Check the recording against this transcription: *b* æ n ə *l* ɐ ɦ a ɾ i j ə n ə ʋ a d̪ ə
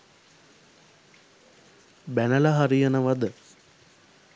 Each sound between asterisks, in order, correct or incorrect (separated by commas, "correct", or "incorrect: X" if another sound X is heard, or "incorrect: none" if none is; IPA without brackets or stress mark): correct, correct